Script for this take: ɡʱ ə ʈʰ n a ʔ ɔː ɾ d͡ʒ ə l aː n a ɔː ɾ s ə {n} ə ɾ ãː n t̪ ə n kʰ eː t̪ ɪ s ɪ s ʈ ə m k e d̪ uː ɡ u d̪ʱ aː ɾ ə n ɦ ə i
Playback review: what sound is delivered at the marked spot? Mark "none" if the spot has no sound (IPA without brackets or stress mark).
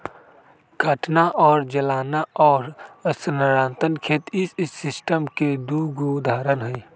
n